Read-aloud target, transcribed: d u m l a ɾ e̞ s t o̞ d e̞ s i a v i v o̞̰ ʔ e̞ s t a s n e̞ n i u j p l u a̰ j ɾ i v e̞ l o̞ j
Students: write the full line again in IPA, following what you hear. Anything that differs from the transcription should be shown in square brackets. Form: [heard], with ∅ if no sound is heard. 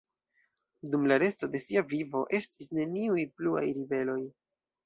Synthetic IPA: d u m l a ɾ e̞ s t o̞ d e̞ s i a v i v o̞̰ ʔ e̞ s t [i] s n e̞ n i u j p l u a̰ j ɾ i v e̞ l o̞ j